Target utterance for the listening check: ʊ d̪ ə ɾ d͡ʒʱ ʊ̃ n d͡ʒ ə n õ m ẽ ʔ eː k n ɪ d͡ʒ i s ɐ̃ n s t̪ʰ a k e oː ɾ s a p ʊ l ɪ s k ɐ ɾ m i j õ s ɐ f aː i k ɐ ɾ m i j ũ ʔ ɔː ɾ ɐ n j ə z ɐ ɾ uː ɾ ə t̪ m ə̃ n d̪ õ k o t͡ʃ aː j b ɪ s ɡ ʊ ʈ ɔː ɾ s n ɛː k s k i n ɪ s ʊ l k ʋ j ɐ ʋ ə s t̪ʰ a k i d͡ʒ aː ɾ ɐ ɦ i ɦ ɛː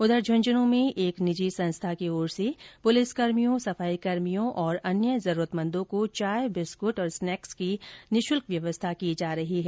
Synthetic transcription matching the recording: ʊ d̪ ə ɾ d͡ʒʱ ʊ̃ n d͡ʒ ə n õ m ẽ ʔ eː k n ɪ d͡ʒ i s ɐ̃ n s t̪ʰ a k e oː ɾ s e p ʊ l ɪ s k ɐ ɾ m i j õ s ɐ f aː i k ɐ ɾ m i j õ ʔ ɔː ɾ ɐ n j ə z ɐ ɾ uː ɾ ə t̪ m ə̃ n d̪ õ k o t͡ʃ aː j b ɪ s k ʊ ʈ ɔː ɾ s n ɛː k s k i n ɪ ʃ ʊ l k ʋ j ɐ ʋ ə s t̪ʰ a k i d͡ʒ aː ɾ ɐ ɦ i ɦ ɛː